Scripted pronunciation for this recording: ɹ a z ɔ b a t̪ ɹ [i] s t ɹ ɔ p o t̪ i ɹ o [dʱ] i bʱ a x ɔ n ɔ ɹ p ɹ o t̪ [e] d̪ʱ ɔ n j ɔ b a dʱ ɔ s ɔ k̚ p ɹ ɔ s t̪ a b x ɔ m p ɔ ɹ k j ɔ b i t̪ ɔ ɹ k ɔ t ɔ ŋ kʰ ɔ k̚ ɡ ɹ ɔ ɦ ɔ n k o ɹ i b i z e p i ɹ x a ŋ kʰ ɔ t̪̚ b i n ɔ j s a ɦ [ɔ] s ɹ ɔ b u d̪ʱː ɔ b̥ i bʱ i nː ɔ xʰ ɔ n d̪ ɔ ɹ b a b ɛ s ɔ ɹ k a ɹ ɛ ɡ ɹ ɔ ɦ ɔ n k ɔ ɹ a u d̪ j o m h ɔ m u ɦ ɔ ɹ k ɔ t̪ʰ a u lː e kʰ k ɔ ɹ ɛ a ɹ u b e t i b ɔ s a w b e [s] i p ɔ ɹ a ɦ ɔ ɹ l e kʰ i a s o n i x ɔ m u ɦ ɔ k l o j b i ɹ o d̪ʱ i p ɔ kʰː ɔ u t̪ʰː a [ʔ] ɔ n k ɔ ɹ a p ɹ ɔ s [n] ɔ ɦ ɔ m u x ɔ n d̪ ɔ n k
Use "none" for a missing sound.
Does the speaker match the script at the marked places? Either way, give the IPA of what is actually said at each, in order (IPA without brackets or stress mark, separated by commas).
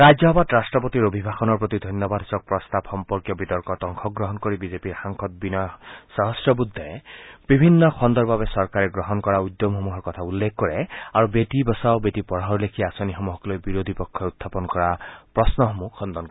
a, bʱ, i, ɔ, t, p, n